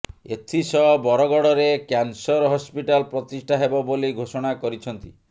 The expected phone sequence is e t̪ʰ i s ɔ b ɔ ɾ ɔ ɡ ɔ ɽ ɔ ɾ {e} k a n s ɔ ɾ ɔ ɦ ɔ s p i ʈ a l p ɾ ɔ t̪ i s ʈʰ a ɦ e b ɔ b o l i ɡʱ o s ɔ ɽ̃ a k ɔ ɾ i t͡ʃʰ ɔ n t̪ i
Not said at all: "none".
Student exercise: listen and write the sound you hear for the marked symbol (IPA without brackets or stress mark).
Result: e